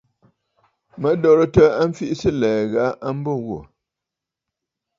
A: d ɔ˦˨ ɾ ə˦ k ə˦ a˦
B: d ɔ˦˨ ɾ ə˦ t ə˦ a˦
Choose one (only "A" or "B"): B